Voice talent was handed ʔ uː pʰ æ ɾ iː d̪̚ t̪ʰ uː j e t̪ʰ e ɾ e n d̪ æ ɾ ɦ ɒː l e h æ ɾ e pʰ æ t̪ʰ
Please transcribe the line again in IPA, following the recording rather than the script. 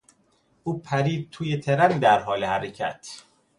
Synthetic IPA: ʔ uː pʰ æ ɾ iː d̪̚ t̪ʰ uː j e t̪ʰ e ɾ æ n d̪ æ ɾ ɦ ɒː l e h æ ɾ e cʰ æ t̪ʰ